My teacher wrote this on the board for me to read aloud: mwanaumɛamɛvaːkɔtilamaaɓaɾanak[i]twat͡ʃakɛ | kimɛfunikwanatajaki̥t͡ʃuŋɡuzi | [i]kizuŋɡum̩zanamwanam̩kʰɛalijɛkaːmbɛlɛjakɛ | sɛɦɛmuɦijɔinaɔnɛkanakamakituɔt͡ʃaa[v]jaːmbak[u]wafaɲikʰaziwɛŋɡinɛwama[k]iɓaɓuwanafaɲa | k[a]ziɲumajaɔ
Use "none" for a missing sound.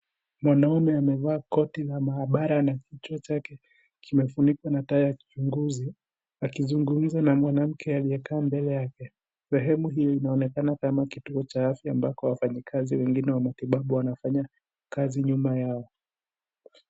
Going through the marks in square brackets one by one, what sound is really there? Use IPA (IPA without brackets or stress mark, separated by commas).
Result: i, a, f, ɔ, t, a